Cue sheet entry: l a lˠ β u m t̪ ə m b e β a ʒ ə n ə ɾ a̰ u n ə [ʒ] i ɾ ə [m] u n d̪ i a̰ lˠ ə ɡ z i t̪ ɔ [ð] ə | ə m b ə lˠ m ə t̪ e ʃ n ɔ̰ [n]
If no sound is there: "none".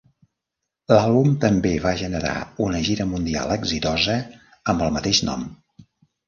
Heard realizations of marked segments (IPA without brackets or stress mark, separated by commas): ʒ, m, z, m